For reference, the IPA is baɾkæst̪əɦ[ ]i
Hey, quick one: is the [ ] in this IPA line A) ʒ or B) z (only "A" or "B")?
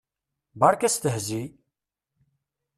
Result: B